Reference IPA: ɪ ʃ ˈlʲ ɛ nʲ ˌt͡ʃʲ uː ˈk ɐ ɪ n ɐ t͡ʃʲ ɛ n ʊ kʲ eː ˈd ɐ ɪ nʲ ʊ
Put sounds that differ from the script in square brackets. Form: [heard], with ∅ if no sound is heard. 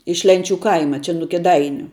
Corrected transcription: ɪ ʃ ˈlʲ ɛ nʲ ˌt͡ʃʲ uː ˈk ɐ ɪ [m] ɐ t͡ʃʲ ɛ n ʊ kʲ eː ˈd ɐ ɪ nʲ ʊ